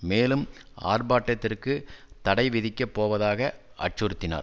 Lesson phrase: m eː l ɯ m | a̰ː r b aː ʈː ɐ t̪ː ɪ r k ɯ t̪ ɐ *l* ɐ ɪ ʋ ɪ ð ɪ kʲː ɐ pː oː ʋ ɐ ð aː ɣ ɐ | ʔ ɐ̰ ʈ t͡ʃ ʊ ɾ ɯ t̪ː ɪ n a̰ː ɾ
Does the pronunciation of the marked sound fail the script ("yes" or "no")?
yes